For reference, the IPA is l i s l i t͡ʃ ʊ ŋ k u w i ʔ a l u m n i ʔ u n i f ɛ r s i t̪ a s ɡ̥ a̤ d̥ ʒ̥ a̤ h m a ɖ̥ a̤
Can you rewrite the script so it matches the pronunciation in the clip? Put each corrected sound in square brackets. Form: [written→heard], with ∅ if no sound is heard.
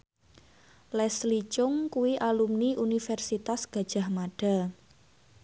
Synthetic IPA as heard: l [i→ɛ] s l i t͡ʃ ʊ ŋ k u w i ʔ a l u m n i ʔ u n i f ɛ r s i t̪ a s ɡ̥ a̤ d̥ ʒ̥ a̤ h m a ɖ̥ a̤